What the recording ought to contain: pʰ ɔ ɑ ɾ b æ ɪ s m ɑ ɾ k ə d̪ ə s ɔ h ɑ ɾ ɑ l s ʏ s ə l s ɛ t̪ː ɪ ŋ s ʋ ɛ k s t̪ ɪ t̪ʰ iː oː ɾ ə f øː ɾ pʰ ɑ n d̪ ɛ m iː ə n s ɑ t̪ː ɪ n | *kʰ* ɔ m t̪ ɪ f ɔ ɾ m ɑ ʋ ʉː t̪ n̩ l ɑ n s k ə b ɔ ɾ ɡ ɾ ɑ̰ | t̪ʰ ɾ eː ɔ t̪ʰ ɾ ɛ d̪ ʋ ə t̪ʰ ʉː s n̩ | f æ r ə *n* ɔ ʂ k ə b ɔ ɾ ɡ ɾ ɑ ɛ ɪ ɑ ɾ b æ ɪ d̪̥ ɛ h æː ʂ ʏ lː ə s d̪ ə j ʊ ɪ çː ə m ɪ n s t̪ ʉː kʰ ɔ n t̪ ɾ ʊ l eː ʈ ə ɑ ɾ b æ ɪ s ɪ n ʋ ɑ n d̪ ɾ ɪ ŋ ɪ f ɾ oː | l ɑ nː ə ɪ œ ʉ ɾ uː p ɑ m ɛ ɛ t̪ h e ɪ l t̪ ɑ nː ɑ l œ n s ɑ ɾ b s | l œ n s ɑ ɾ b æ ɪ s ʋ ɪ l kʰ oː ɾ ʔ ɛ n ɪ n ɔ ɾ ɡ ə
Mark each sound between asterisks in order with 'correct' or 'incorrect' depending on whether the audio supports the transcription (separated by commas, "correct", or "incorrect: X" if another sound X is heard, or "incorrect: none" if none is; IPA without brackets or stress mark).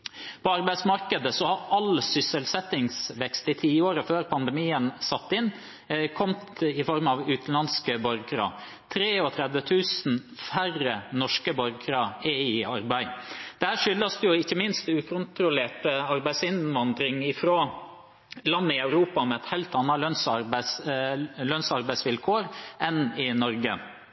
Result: correct, correct